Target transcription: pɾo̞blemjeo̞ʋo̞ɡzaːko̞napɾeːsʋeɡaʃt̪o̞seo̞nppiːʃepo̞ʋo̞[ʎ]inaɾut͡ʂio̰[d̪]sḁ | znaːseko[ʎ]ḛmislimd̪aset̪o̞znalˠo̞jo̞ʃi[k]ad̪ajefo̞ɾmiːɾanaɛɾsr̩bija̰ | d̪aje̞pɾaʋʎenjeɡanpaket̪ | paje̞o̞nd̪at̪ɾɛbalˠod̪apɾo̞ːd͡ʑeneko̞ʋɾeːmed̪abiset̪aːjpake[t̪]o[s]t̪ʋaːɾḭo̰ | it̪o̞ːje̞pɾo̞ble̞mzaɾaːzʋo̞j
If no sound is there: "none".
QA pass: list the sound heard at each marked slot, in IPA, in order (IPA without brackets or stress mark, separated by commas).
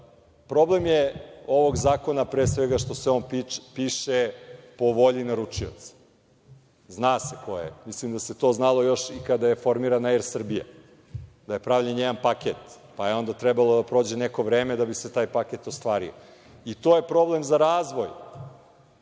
ʎ, t̪, j, k, t̪, s